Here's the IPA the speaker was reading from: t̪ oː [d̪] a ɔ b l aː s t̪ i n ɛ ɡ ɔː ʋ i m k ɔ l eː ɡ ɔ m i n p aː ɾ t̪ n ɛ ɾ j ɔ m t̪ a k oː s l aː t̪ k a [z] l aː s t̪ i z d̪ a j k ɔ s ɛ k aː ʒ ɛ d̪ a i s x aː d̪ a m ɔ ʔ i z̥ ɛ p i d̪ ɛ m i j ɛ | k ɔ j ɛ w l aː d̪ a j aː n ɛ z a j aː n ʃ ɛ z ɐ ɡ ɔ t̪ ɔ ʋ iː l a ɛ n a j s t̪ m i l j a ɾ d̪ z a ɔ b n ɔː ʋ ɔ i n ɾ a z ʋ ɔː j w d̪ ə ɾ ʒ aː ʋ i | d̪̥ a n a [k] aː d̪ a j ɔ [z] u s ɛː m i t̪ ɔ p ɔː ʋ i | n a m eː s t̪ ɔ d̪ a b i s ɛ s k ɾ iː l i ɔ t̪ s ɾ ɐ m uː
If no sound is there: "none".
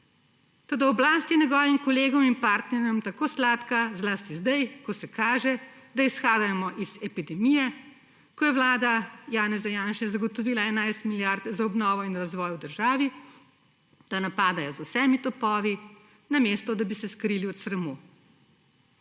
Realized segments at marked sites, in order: d̪, z, p, z

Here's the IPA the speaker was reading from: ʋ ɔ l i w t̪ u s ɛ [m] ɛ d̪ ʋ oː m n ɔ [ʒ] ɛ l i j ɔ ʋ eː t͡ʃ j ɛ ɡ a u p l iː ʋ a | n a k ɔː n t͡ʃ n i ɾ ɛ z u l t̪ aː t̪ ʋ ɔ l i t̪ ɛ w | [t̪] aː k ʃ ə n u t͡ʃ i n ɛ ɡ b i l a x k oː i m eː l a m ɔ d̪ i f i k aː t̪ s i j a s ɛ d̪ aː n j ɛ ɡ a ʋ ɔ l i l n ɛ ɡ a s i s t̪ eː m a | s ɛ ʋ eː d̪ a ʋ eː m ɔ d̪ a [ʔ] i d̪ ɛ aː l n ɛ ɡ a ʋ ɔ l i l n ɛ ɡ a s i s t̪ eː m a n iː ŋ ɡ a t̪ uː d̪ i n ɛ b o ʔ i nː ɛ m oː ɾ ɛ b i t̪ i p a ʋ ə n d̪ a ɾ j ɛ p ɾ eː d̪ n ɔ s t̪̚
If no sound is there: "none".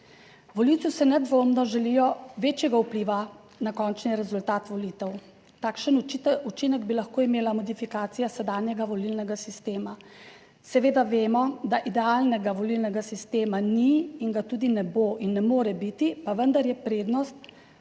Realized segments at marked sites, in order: n, ʒ, t̪, ʔ

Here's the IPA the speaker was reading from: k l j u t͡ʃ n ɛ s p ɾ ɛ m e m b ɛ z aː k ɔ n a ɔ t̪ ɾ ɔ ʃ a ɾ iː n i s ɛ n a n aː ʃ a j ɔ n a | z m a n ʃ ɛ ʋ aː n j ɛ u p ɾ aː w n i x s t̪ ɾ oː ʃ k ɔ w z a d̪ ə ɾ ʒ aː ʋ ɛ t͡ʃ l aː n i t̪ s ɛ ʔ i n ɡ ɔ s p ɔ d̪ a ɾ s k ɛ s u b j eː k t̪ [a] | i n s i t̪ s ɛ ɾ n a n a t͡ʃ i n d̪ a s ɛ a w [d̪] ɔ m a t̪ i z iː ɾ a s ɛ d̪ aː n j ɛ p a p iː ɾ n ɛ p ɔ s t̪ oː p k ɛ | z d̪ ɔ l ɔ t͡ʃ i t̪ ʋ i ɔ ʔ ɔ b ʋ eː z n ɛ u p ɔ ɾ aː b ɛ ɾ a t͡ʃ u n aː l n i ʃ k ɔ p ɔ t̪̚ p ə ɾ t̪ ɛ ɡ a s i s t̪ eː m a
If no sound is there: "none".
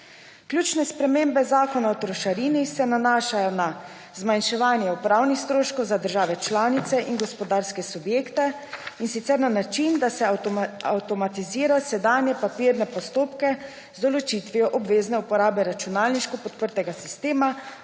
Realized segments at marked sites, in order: ɛ, t̪

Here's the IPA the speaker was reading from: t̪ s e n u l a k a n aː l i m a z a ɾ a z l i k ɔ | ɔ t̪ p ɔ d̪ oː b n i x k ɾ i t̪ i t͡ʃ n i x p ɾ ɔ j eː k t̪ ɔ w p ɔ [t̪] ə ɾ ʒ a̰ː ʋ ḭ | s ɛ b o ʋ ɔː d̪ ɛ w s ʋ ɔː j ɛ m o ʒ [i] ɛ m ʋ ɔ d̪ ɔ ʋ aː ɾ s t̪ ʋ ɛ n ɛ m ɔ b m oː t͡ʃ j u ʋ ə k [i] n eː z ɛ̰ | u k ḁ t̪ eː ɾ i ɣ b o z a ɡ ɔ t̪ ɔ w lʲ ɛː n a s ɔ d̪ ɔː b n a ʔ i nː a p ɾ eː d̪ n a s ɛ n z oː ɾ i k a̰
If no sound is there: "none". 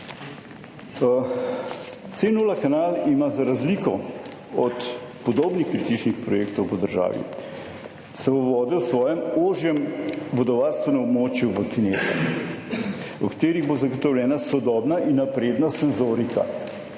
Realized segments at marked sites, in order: d̪, j, i

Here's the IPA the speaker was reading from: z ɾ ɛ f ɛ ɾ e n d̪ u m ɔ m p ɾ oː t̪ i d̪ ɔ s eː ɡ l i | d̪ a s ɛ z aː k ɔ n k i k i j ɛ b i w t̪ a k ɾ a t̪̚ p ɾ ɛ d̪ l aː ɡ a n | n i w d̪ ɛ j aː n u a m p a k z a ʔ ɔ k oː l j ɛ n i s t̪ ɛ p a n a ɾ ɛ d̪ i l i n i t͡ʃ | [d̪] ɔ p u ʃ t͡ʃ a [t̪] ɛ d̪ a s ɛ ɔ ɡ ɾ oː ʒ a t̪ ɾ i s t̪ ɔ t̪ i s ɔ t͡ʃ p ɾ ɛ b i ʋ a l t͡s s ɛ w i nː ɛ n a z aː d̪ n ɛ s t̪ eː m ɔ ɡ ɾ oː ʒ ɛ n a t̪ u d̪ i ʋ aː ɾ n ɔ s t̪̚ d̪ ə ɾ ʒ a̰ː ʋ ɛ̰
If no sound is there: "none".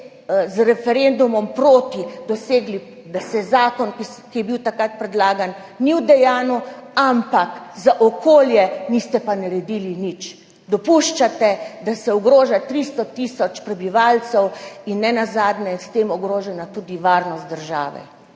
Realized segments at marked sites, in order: d̪, t̪

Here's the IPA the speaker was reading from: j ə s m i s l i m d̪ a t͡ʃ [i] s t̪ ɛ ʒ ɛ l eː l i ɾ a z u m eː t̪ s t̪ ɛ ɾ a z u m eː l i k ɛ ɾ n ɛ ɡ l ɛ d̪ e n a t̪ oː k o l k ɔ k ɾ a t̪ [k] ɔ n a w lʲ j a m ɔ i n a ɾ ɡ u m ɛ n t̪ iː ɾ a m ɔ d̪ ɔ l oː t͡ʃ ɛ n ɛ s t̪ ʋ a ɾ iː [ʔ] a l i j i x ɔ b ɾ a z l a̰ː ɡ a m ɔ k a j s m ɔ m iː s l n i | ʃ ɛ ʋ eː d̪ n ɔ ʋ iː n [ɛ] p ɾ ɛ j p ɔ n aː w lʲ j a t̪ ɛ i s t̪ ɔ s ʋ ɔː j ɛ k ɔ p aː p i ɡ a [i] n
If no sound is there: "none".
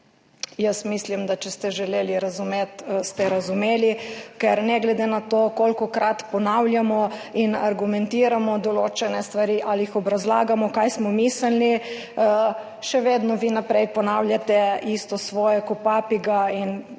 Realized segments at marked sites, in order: ɛ, p, ʔ, a, i

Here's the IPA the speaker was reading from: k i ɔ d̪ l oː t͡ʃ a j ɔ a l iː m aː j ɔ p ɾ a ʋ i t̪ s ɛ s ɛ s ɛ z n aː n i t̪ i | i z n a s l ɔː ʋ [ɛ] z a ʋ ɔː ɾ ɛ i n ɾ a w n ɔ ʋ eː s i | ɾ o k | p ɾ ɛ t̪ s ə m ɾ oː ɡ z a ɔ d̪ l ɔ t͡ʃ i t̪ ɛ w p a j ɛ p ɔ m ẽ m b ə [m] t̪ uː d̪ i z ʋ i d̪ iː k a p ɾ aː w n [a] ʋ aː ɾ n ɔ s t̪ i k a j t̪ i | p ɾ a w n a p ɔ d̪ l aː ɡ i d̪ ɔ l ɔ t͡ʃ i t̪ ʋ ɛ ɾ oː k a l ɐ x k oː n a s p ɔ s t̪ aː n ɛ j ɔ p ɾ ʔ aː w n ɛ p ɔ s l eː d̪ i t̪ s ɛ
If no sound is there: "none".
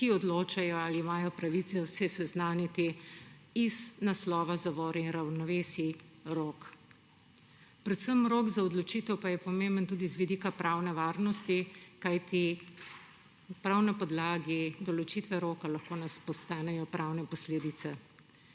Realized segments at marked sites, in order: a, n, ɛ

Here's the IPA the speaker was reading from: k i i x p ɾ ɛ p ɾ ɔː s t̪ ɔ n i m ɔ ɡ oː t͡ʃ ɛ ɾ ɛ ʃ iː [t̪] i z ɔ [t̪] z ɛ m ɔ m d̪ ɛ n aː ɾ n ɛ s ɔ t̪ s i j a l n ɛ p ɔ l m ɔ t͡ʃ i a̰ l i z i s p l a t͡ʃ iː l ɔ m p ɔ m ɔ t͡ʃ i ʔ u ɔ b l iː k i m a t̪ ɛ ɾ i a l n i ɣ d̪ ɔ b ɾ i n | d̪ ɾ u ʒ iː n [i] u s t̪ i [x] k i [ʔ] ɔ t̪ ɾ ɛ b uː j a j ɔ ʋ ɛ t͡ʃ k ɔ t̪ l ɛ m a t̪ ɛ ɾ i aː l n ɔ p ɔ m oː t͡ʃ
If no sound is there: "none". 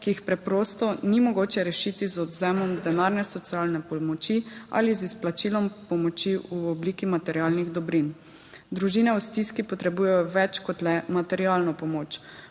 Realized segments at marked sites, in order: t̪, d̪, ɛ, s, p

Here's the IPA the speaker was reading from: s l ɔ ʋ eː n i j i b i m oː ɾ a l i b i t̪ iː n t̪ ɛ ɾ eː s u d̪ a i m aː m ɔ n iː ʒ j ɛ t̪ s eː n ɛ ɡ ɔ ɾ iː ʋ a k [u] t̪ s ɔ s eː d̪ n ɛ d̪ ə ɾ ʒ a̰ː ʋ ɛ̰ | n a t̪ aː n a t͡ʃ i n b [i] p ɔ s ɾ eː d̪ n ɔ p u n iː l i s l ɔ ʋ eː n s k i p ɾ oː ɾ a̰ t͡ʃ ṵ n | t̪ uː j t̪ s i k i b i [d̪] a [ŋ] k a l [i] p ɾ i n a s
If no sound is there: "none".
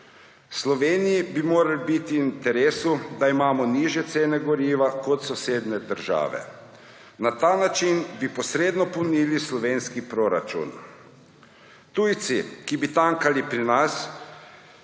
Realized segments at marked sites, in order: ɔ, i, t̪, ŋ, i

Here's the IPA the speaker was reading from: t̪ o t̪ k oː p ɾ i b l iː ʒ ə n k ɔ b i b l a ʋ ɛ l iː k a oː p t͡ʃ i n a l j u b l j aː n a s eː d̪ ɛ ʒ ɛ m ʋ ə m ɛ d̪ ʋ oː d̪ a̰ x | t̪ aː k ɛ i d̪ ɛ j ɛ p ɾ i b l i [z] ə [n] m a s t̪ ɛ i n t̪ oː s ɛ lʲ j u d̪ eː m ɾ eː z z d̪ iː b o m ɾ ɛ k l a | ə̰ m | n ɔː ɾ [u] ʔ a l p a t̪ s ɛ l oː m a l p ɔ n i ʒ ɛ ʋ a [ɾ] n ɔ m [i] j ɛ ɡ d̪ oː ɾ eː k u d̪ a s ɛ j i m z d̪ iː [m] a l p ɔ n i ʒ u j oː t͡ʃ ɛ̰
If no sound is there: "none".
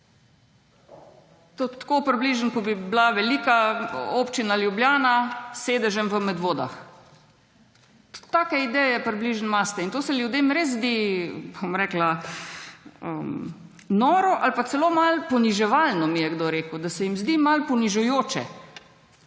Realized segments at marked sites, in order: ʒ, n, ɔ, l, i, m

